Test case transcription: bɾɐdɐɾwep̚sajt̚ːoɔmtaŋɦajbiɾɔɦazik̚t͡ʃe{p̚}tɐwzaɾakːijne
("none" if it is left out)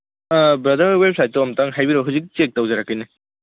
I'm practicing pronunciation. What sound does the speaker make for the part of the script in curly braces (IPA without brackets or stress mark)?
k̚